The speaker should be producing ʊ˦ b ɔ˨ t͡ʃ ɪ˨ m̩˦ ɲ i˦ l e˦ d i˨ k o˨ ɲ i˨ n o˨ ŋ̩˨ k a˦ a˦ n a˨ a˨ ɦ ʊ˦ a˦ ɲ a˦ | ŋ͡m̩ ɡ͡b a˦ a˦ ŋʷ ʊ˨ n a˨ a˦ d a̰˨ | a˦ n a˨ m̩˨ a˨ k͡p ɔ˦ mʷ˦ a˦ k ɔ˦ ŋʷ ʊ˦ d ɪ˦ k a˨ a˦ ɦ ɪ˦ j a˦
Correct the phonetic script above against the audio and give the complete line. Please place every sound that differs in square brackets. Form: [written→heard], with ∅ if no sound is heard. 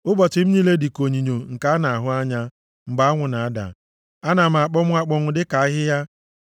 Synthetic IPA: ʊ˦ b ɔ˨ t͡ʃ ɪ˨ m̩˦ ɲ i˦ l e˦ d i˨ k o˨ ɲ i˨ [n→ɲ] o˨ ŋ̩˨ k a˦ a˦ n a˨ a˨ ɦ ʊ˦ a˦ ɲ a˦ | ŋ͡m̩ ɡ͡b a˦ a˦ ŋʷ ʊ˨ n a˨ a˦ d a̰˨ | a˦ n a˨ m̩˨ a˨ k͡p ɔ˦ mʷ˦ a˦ [k→k͡p] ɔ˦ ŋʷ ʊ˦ d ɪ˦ k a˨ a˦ ɦ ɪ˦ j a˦